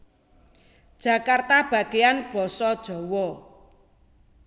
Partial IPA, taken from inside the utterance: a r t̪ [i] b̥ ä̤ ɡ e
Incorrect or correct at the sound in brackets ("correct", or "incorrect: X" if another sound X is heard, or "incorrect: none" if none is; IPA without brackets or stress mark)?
incorrect: a